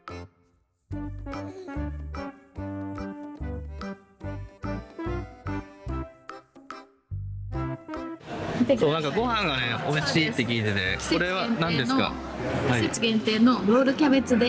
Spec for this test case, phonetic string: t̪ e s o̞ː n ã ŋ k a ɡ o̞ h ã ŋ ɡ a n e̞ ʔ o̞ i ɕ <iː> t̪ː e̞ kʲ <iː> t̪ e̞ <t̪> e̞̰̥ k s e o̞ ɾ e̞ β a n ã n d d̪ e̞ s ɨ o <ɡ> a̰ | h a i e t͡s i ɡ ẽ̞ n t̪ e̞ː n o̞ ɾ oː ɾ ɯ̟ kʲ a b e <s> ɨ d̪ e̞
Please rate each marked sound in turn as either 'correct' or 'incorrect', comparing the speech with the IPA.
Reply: correct, correct, correct, incorrect: k, incorrect: t͡s

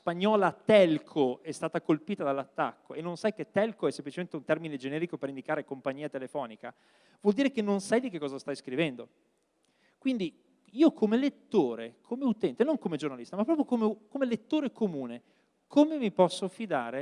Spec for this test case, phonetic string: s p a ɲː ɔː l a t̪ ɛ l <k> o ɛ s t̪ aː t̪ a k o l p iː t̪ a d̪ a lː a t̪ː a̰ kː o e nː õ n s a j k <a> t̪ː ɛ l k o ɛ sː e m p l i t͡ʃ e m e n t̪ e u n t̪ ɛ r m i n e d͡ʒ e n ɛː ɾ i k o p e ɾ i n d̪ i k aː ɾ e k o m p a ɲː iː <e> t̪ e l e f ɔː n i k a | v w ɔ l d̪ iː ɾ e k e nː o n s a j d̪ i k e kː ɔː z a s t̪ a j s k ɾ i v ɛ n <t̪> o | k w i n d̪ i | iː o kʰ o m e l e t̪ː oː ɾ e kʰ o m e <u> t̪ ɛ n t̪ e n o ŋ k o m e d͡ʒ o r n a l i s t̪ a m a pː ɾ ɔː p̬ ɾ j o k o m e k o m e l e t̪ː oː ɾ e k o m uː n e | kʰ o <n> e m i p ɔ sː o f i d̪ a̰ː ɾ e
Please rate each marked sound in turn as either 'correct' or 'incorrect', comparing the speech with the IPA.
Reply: incorrect: kʰ, incorrect: e, incorrect: a, incorrect: d̪, correct, incorrect: m

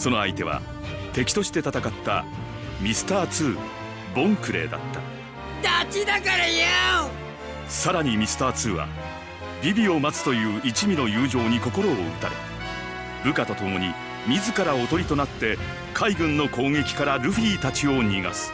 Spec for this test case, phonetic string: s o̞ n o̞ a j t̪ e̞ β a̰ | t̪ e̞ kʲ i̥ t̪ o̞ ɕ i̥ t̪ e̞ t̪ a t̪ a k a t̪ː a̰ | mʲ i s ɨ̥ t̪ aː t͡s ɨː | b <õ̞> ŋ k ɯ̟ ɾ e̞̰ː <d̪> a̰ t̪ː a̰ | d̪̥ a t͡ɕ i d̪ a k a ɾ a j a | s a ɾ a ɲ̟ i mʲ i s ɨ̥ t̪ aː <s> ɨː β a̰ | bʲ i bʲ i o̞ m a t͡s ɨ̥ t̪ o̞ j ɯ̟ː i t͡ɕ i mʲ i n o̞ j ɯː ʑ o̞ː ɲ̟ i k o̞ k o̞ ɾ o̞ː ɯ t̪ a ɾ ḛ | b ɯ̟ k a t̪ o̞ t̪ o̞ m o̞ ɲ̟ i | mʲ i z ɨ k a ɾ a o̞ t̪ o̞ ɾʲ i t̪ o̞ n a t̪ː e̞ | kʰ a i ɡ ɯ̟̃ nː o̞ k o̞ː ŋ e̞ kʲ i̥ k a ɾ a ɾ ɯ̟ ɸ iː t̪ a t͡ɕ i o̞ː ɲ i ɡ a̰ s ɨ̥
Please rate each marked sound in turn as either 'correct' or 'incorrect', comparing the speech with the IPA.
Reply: correct, correct, incorrect: t͡s

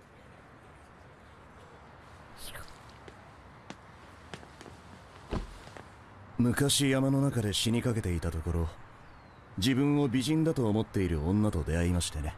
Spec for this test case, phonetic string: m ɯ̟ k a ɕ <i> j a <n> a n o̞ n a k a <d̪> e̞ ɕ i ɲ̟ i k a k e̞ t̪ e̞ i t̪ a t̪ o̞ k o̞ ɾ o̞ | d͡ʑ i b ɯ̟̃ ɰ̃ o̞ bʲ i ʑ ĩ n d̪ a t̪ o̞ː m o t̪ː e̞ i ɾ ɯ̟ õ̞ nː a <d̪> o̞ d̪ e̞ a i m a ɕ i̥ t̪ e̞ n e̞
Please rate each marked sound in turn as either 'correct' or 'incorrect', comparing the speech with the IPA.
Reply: correct, incorrect: m, correct, incorrect: t̪

